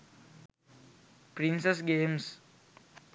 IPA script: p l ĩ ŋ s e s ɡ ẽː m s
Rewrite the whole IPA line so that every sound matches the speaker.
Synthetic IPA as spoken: p ɾ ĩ n s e s ɡ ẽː m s